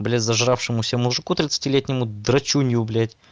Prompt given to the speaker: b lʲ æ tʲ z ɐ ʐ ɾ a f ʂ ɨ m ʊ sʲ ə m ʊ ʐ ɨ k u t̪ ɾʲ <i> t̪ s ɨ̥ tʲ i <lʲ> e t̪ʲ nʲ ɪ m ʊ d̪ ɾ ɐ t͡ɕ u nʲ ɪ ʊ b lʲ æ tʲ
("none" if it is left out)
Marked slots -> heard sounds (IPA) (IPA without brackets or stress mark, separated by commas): ɪ, lʲ